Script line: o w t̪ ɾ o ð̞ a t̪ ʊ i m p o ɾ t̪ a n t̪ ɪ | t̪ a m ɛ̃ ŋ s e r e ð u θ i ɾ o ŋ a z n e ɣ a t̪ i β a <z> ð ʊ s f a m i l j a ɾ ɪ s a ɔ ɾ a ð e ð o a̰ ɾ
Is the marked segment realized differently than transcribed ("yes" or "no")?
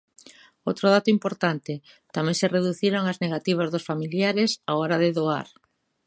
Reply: no